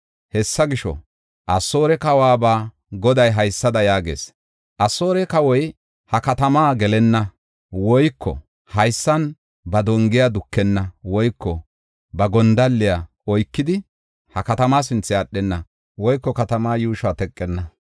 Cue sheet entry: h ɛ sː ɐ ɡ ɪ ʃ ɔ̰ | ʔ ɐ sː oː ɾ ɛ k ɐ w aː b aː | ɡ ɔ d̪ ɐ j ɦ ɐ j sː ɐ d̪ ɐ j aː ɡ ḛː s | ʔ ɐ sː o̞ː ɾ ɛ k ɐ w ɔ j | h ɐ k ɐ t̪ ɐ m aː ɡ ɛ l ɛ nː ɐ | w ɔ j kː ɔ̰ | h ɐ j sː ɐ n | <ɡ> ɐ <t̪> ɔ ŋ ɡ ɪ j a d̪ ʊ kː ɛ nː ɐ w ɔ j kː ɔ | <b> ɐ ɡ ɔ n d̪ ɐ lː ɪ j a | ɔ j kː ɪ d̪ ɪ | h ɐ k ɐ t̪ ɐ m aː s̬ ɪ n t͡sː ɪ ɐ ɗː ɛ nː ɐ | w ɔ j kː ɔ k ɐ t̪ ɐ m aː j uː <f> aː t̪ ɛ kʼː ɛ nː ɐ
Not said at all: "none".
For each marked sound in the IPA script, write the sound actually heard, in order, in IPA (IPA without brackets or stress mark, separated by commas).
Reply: b, d̪, b, ʃ